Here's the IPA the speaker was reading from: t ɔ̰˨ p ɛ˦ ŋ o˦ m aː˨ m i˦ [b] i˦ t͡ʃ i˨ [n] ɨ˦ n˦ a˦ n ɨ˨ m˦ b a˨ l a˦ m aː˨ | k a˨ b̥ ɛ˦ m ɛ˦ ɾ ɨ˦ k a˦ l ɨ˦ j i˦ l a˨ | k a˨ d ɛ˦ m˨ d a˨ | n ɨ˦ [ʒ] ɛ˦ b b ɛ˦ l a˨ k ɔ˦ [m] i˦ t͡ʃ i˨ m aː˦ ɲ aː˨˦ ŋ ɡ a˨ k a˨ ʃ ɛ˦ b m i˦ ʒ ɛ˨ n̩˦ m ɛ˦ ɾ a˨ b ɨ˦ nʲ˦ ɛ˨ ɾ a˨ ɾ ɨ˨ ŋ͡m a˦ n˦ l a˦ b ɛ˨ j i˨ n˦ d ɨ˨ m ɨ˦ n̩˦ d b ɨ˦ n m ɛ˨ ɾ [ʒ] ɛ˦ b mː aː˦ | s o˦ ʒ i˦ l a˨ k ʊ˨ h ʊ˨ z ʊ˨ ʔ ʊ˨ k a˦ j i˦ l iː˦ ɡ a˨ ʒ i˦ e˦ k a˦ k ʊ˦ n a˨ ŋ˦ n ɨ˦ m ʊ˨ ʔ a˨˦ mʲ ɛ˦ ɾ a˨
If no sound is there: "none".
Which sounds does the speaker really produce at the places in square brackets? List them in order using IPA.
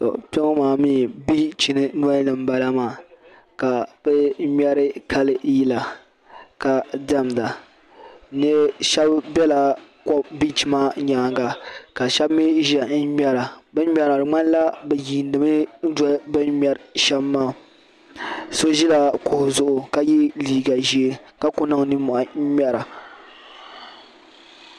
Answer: b, n, ʃ, b, ʃ

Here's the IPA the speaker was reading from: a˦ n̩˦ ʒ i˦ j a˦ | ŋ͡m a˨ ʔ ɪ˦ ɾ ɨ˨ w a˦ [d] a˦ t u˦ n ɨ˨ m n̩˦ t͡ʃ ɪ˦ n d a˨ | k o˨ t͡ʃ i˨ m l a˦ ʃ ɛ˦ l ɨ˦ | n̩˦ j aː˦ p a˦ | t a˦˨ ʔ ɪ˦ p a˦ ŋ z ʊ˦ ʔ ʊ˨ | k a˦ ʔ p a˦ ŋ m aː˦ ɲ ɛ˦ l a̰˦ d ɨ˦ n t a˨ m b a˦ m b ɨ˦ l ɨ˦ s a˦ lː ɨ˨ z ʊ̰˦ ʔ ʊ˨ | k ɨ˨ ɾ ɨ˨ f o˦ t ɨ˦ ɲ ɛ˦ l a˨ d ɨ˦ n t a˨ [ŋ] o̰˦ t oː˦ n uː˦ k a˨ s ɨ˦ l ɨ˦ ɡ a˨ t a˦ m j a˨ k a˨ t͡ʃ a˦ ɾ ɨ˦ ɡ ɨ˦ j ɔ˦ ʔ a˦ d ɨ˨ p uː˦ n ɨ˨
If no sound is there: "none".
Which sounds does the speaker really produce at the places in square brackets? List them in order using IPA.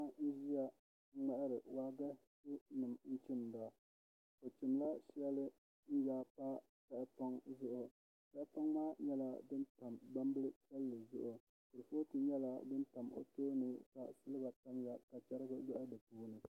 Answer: ɡ, m

